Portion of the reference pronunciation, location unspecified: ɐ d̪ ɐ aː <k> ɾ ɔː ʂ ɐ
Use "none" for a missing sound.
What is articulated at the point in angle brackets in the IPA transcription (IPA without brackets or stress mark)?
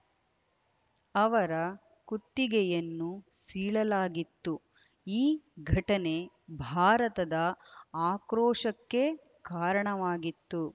k